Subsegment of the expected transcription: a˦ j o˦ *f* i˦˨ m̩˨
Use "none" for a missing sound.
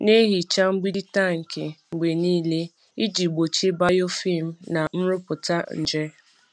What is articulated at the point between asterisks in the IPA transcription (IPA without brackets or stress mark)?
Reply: f